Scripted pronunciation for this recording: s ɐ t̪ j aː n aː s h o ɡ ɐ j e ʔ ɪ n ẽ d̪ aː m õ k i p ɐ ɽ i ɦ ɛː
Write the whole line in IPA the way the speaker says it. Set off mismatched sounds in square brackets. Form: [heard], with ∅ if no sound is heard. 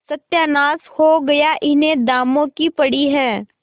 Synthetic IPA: s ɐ t̪ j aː n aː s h o ɡ ɐ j [a] ʔ ɪ n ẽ d̪ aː m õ k i p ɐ ɽ i ɦ ɛː